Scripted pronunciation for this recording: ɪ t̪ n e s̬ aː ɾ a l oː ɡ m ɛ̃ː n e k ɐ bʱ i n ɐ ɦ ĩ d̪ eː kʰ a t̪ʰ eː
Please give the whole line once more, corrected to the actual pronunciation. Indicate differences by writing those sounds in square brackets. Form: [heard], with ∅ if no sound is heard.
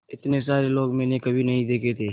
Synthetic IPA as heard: ɪ t̪ n e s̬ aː ɾ [e] l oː ɡ m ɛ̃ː n e k ɐ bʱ i n ɐ ɦ ĩ d̪ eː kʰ [e] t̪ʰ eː